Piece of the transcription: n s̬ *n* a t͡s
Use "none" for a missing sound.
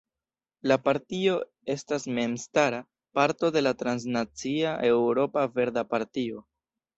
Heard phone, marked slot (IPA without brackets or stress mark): n